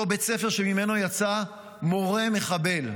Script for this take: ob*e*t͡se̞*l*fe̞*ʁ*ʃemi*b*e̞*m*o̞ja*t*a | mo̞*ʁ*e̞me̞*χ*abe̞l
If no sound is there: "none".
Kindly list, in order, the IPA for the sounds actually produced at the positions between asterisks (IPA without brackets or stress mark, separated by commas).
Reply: e, none, ʁ, m, n, t͡s, ʁ, χ